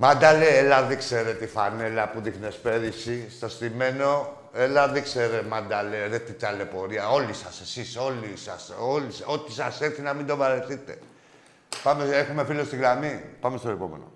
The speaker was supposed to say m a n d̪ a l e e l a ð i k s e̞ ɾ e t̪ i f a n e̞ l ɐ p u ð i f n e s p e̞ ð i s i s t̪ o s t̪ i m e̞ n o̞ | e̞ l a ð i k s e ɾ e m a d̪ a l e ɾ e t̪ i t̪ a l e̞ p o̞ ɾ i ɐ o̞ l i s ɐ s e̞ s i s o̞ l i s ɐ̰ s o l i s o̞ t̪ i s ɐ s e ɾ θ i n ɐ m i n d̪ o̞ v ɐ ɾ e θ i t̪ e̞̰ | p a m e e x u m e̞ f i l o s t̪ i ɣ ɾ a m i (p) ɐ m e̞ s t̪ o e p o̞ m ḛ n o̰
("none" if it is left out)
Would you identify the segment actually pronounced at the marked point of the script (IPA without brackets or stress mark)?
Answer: p